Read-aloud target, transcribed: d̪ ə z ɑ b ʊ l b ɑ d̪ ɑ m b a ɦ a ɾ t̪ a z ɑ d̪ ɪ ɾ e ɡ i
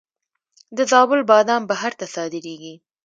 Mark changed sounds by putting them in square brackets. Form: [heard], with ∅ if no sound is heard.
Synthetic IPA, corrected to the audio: d̪ ə z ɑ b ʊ l b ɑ d̪ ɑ m b a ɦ a ɾ t̪ a [s] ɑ d̪ ɪ ɾ e ɡ i